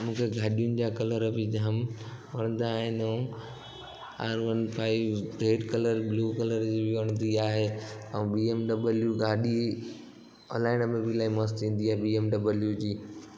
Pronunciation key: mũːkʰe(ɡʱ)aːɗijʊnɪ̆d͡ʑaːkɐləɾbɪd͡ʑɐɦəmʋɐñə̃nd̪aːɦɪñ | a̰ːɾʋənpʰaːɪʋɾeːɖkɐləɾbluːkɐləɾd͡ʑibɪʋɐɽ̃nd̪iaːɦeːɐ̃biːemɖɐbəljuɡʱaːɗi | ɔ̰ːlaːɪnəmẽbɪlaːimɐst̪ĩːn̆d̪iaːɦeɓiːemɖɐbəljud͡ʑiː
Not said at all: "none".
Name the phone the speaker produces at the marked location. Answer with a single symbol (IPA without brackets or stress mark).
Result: ɡʱ